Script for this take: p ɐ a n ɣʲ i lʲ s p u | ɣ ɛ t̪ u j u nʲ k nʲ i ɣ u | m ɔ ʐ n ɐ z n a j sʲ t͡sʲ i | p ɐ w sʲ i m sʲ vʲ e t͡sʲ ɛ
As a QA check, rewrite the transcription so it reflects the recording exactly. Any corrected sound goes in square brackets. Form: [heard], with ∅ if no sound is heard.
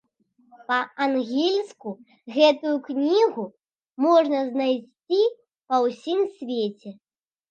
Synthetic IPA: p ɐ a n ɣʲ i lʲ s [k] u | ɣ ɛ t̪ u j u [∅] k nʲ i ɣ u | m ɔ ʐ n ɐ z n a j sʲ t͡sʲ i | p ɐ w sʲ i m sʲ vʲ e t͡sʲ ɛ